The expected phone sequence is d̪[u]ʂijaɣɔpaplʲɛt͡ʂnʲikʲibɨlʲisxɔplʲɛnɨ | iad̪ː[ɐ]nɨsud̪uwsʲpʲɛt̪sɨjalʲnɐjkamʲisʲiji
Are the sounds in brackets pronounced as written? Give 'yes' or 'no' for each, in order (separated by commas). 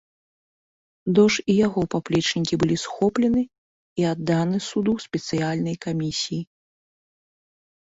no, no